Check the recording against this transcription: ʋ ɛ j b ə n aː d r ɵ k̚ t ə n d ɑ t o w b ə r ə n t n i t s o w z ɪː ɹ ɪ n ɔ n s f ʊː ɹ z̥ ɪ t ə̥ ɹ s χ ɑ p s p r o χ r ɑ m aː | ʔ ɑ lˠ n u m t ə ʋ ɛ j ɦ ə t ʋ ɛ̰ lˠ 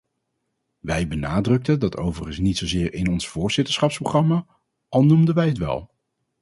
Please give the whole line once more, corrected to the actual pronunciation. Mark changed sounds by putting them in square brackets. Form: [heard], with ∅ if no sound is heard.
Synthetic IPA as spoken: ʋ ɛ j b ə n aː d r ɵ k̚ t ə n d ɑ t o w [v] ə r ə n [s] n i t s o w z ɪː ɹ ɪ n ɔ n s f ʊː ɹ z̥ ɪ t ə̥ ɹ s χ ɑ p s p r o χ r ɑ m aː | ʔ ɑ lˠ n u m [d] ə ʋ ɛ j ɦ ə t ʋ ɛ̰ lˠ